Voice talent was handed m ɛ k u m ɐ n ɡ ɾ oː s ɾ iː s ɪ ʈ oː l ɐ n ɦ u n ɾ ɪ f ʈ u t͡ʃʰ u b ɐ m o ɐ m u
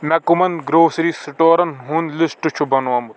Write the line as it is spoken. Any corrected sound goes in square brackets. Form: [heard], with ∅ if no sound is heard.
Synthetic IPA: m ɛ k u m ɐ n ɡ ɾ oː s ɾ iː s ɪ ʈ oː [ɾ] ɐ n ɦ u n [l] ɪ [s] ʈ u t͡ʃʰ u b ɐ [n] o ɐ m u